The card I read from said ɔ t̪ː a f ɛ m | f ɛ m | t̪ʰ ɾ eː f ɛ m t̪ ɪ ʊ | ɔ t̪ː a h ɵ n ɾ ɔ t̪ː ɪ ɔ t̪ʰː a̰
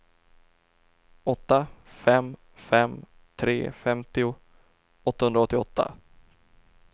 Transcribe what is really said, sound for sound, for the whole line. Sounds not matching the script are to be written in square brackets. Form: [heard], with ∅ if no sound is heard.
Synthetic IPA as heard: ɔ t̪ː a f ɛ m | f ɛ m | t̪ʰ ɾ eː f ɛ m t̪ ɪ ʊ | ɔ t̪ː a h ɵ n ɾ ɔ t̪ː ɪ ɔ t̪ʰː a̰